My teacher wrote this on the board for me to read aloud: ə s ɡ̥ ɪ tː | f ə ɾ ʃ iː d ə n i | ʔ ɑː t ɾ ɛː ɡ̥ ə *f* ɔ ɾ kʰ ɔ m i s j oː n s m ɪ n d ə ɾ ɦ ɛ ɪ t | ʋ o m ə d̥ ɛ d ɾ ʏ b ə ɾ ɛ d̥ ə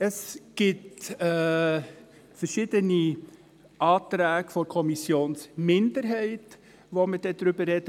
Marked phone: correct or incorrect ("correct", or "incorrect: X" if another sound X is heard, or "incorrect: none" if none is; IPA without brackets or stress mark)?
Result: correct